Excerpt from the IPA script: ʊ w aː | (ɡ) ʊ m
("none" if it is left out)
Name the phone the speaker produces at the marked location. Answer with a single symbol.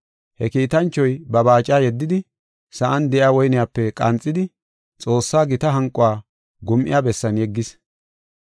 ɡ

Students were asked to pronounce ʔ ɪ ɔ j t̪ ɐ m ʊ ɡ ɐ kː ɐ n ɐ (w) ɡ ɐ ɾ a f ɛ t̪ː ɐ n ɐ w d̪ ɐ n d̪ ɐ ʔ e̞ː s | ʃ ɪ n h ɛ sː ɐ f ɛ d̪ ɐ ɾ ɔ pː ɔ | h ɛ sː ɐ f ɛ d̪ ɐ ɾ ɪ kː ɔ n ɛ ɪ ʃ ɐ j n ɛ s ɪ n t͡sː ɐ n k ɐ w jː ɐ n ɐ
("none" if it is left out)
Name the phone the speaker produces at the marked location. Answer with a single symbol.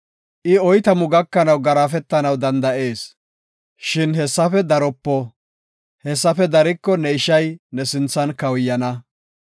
w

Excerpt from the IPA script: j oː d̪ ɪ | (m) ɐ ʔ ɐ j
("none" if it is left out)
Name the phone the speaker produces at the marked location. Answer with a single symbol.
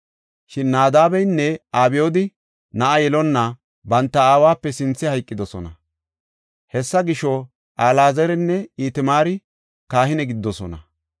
n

